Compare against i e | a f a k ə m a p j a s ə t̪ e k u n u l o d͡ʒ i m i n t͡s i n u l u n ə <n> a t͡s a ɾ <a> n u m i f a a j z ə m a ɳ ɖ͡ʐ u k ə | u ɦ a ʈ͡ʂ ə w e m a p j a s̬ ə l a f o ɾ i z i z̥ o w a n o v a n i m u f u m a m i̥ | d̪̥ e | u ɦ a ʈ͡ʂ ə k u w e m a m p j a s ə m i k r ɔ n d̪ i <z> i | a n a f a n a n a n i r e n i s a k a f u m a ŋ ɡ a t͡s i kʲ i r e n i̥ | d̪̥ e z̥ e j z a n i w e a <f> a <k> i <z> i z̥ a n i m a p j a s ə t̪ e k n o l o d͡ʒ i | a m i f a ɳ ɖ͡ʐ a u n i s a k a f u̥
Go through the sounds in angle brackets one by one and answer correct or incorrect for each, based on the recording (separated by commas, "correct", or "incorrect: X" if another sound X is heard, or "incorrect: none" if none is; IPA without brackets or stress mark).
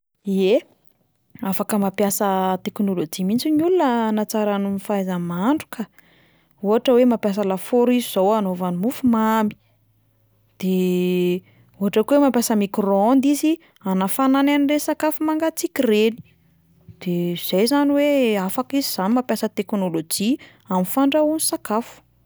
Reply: correct, correct, correct, correct, correct, correct